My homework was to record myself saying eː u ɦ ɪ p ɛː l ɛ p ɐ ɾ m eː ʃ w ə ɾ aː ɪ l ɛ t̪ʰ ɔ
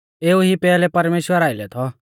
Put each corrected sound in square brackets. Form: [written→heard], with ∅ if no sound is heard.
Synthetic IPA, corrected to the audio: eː u ɦ [ɪ→i] p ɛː l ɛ p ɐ ɾ m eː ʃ w ə ɾ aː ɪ l ɛ t̪ʰ ɔ